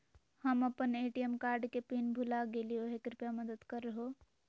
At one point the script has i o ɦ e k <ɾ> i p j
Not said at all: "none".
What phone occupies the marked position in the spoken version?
ɾ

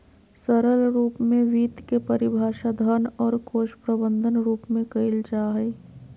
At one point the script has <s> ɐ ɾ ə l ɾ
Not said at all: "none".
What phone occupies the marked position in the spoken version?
s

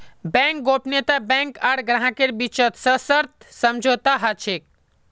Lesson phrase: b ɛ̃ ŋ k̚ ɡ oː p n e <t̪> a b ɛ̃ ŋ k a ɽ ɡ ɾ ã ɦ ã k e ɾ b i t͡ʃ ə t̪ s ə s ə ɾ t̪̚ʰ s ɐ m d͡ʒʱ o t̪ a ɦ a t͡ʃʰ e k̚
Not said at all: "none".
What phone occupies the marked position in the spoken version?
t̪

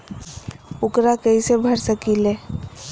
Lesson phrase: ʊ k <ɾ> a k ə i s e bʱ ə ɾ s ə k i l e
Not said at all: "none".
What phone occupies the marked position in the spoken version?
ɾ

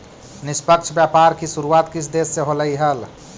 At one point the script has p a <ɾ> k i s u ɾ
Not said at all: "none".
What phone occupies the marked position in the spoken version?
ɾ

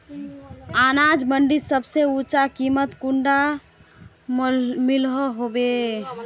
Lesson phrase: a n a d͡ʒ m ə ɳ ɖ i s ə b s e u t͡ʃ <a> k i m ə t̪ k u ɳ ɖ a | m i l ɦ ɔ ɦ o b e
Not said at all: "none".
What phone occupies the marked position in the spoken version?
a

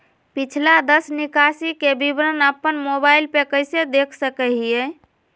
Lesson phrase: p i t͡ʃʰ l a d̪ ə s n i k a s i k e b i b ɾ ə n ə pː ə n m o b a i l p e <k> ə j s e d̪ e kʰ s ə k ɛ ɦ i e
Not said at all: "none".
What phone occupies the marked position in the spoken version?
k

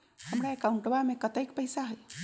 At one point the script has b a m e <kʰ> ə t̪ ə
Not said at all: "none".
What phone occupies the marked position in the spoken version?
k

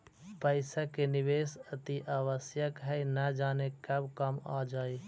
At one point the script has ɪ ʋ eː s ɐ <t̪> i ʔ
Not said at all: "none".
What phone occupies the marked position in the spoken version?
t̪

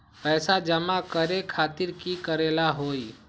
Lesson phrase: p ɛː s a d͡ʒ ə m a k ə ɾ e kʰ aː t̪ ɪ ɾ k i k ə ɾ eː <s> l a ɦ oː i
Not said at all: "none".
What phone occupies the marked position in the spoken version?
none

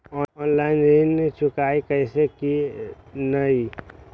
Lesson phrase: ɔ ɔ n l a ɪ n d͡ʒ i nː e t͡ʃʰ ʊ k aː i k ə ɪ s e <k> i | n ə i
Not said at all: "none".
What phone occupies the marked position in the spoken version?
k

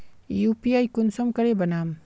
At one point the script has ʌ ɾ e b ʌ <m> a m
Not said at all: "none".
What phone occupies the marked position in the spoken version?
n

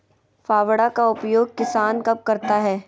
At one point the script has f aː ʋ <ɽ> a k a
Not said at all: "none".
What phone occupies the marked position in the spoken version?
ɽ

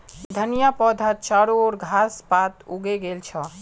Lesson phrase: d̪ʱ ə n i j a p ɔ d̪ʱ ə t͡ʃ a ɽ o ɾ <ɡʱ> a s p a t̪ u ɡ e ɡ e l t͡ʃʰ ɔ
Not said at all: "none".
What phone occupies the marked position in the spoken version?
ɡʱ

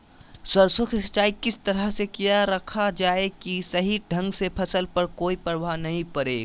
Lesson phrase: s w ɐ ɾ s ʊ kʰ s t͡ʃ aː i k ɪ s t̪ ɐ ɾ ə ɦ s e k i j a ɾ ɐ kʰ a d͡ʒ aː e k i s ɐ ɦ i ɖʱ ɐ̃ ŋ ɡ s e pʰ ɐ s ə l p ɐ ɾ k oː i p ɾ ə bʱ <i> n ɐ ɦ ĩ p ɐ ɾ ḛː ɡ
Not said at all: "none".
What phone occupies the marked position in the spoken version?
a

